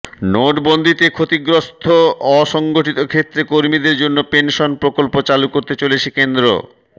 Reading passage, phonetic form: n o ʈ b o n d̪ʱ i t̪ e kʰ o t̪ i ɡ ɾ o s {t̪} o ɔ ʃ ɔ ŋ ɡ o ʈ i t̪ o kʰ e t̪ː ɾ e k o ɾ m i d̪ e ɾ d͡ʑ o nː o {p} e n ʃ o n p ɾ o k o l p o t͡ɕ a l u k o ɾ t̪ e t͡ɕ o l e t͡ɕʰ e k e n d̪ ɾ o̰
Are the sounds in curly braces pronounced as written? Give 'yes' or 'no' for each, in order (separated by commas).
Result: no, yes